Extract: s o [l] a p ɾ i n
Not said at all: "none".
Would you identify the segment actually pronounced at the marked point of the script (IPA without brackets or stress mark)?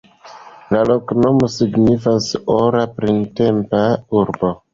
ɾ